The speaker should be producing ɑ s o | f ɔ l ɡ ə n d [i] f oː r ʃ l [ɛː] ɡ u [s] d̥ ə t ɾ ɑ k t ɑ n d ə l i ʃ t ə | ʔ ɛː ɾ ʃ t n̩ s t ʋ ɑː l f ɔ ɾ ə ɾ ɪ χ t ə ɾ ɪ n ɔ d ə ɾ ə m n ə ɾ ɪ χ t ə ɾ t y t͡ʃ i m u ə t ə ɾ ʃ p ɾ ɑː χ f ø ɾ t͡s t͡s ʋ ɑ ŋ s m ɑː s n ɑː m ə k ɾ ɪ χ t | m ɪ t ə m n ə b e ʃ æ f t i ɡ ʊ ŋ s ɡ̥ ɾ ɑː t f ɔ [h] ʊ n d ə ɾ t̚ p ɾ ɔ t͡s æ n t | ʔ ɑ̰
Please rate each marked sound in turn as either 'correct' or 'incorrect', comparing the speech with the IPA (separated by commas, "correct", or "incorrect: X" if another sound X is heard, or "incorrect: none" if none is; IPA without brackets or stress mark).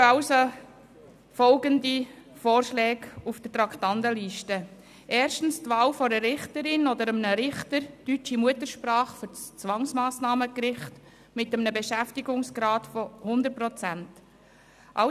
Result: correct, correct, incorrect: f, correct